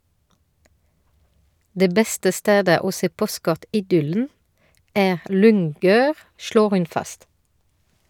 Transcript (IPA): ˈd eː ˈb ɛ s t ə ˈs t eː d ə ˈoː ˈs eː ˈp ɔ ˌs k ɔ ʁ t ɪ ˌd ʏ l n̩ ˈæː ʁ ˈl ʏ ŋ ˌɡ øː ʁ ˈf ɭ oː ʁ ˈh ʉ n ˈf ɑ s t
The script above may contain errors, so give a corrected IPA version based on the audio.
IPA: ˈd eː ˈb ɛ s t ə ˈs t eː d ə ˈoː ˈs eː ˈp ɔ ˌs k ɔ ʁ t ɪ ˌd ʏ l n̩ ˈæː ʁ ˈl ʏ ŋ ˌɡ øː ʁ ˈʃ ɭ oː ʁ ˈh ʉ n ˈf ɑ s t

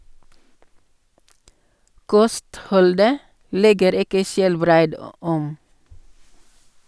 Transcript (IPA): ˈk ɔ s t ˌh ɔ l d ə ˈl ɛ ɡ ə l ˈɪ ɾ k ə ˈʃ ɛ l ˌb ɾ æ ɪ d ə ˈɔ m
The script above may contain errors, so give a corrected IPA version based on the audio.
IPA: ˈk ɔ s t ˌh ɔ l d ə ˈl ɛ ɡ ə ɾ ˈɪ k ə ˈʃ ɛ l ˌb ɾ æ ɪ d ə ˈɔ m

